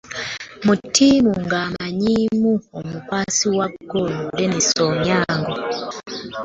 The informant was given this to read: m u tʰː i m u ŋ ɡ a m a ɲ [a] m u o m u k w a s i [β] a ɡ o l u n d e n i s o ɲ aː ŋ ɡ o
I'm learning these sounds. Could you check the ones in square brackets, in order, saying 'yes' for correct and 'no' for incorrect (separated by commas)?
no, no